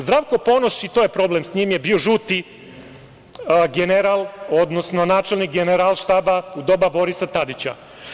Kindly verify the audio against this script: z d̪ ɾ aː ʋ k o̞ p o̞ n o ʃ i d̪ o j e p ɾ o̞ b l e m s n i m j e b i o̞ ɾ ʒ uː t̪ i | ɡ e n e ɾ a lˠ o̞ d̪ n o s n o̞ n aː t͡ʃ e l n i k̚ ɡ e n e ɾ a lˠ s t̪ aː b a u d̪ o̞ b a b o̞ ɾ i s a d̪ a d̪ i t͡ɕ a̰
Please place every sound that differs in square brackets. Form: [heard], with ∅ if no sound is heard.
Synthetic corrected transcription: z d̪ ɾ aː ʋ k o̞ p o̞ n o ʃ i [t̪] o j e p ɾ o̞ b l e m s [ɲ] i m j e b i o̞ [∅] ʒ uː t̪ i | ɡ e n e ɾ a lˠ o̞ d̪ n o s n o̞ n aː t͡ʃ e l n i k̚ ɡ e n e ɾ a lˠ [ʃ] t̪ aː b a u d̪ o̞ b a b o̞ ɾ i s a [t̪] a d̪ i t͡ɕ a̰